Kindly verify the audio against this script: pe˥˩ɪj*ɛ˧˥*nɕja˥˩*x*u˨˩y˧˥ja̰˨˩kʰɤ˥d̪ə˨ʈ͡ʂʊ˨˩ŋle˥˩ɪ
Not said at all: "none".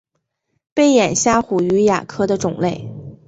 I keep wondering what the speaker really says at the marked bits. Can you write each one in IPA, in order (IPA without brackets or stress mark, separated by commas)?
ɛ˨˩, x